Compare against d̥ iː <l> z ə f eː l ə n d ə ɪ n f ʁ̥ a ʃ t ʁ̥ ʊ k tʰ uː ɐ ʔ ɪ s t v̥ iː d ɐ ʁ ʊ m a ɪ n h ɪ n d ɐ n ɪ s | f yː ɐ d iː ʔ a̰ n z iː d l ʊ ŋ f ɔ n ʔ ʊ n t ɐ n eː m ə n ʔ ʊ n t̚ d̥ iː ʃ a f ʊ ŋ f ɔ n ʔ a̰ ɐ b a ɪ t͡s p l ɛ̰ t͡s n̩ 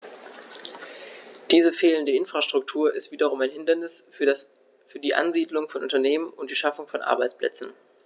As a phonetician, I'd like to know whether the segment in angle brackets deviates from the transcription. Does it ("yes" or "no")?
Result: yes